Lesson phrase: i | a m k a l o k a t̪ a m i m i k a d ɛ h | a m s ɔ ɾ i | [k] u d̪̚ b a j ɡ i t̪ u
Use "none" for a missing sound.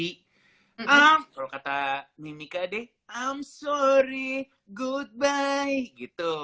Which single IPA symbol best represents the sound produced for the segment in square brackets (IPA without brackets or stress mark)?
ɡ